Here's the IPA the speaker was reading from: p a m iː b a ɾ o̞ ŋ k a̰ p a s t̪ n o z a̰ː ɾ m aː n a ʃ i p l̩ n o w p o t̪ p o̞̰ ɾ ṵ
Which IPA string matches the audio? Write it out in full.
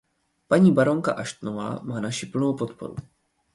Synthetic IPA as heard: p a ɲ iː b a ɾ o̞ ŋ k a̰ ʔ a ʃ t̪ n o v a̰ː m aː n a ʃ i p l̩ n o w p o t̪ p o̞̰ ɾ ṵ